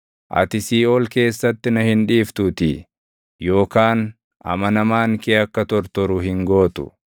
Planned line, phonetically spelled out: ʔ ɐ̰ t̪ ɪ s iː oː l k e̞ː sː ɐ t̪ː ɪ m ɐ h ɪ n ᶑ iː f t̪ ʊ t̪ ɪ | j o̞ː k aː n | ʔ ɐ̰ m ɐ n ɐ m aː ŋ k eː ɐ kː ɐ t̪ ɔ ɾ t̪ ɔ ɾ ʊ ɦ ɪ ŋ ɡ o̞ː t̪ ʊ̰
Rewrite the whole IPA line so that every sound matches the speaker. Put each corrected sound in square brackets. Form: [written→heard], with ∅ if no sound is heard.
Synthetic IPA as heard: ʔ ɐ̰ t̪ ɪ s iː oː l k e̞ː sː ɐ t̪ː ɪ [m→n] ɐ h ɪ n ᶑ iː f t̪ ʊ t̪ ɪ | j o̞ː k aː n | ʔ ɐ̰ m ɐ n ɐ m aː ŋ k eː ɐ kː ɐ t̪ ɔ ɾ t̪ ɔ ɾ ʊ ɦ ɪ ŋ ɡ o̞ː t̪ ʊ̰